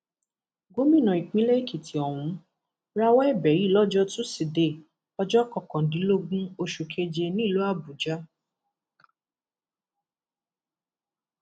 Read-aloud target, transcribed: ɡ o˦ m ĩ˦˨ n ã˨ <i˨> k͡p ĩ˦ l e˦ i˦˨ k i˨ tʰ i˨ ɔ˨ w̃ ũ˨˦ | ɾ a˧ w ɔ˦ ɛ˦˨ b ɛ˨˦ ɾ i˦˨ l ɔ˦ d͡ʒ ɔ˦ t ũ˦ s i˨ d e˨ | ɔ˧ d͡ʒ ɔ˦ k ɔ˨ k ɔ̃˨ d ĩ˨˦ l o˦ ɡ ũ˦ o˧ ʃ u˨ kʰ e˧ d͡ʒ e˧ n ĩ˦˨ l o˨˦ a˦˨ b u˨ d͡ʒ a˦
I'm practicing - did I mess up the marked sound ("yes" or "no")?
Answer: no